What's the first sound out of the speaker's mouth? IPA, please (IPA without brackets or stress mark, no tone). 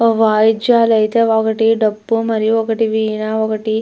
ʋ